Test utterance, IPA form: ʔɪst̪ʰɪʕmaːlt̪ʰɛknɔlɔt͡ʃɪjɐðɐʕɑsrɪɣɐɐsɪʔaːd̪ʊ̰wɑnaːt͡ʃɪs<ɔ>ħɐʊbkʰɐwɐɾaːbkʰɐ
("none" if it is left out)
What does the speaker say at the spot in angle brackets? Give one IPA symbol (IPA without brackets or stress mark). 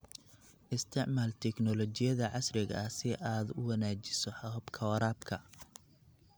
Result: ɔ